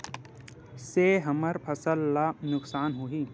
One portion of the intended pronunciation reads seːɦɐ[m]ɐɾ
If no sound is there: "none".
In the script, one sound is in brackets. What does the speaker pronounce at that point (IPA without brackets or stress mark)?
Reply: m